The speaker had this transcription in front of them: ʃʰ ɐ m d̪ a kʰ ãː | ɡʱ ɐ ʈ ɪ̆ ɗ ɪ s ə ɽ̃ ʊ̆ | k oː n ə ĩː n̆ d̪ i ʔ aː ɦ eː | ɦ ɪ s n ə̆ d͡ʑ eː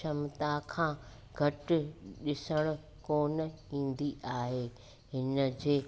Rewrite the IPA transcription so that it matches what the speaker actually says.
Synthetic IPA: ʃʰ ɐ m t̪ a kʰ ãː | ɡʱ ɐ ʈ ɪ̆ ɗ ɪ s ə ɽ̃ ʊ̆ | k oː n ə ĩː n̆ d̪ i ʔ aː ɦ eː | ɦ ɪ n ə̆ d͡ʑ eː

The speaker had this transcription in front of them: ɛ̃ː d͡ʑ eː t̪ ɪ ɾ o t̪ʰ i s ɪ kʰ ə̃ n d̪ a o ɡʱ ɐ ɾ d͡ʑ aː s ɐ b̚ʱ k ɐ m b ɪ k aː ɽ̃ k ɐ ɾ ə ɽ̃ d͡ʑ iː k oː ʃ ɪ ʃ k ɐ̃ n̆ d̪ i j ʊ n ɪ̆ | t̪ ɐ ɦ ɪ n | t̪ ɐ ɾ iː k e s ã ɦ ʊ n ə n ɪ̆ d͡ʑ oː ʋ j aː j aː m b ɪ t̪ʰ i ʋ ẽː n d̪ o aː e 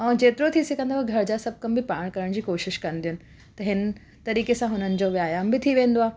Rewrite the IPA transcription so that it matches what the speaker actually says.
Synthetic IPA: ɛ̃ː d͡ʑ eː t̪ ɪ ɾ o t̪ʰ i s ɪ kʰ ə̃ n d̪ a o ɡʱ ɐ ɾ d͡ʑ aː s ɐ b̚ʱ k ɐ m b ɪ p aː ɽ̃ k ɐ ɾ ə ɽ̃ d͡ʑ iː k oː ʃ ɪ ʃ k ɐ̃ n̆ d̪ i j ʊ n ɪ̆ | t̪ ɐ ɦ ɪ n | t̪ ɐ ɾ iː k e s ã ɦ ʊ n ə n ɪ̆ d͡ʑ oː ʋ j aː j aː m b ɪ t̪ʰ i ʋ ẽː n d̪ o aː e

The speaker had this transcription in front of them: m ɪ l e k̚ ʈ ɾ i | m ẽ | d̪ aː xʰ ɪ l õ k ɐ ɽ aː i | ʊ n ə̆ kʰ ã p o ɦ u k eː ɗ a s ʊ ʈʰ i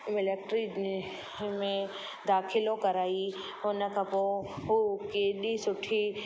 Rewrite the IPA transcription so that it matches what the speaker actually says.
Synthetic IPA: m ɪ l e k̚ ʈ ɾ i | m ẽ | d̪ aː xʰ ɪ l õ k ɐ ɾ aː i | ʊ n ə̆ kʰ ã p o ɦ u k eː ɗ i s ʊ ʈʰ i

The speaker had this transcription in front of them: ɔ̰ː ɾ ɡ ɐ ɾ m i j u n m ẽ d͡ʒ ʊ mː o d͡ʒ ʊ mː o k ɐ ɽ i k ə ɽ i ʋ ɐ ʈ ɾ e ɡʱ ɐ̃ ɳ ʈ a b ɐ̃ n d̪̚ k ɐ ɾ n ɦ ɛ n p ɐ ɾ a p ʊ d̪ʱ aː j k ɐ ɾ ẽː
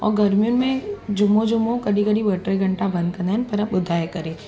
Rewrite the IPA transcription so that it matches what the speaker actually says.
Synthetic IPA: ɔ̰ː ɾ ɡ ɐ ɾ m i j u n m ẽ d͡ʒ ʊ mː o d͡ʒ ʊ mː o k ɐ ɽ i k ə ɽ i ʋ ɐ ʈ ɾ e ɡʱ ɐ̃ ɳ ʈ a b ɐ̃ n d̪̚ k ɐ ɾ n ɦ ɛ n p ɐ ɾ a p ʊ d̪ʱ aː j k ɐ ɾ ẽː

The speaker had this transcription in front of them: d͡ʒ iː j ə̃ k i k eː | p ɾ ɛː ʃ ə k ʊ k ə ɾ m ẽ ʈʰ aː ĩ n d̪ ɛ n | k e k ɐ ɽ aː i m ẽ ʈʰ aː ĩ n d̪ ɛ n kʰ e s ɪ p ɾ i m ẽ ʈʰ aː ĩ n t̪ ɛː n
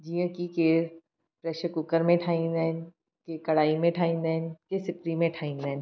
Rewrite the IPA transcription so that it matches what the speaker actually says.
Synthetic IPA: d͡ʒ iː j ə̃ k i k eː | p ɾ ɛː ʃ ə k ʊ k ə ɾ m ẽ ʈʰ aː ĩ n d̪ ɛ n | k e k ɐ ɽ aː i m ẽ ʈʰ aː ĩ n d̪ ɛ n k e s ɪ p ɾ i m ẽ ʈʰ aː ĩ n d̪ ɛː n

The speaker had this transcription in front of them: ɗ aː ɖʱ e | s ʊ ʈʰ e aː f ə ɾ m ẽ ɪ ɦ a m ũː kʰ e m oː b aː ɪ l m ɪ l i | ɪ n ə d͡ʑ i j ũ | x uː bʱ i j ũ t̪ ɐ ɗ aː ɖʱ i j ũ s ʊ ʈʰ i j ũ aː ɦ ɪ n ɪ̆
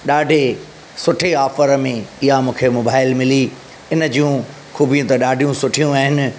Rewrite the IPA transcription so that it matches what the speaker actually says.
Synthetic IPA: ɗ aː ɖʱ e | s ʊ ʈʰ e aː f ə ɾ m ẽ ɪ ɦ a m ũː kʰ e m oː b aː ɪ l m ɪ l i | ɪ n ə d͡ʑ i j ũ | x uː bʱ i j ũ t̪ ɐ ɗ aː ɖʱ i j ũ s ʊ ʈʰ i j ũ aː ɦ ɪ n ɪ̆

